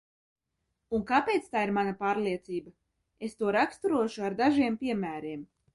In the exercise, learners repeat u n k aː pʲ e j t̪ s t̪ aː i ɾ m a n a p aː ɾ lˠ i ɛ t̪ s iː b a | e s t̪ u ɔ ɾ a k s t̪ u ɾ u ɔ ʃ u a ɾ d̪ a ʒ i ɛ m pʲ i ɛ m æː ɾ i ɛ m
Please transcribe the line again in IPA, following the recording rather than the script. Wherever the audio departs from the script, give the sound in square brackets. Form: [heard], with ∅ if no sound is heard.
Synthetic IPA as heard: u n k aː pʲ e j t̪ s t̪ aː i ɾ m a n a p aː ɾ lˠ i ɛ t̪ s iː b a | e s t̪ u ɔ ɾ a k s t̪ u ɾ u ɔ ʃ u a ɾ d̪ a ʒ i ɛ m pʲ i ɛ m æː ɾ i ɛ m